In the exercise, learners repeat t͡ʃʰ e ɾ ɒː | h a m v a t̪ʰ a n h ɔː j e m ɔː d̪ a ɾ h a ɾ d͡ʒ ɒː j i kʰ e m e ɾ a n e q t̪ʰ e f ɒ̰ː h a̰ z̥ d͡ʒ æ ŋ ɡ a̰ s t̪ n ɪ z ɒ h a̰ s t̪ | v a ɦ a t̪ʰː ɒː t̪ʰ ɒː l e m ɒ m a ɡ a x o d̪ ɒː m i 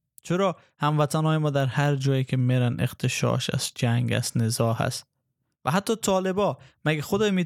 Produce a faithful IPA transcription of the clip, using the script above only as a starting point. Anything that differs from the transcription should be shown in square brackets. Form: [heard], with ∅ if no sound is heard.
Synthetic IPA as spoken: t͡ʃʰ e ɾ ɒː | h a m v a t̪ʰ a n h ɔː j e m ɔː d̪ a ɾ h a ɾ d͡ʒ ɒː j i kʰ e m e ɾ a n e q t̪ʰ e [ʃ] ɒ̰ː [ʃ] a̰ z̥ d͡ʒ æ ŋ ɡ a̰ s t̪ n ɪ z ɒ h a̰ s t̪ | v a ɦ a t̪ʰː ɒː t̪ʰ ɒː l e [b] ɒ m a ɡ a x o d̪ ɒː m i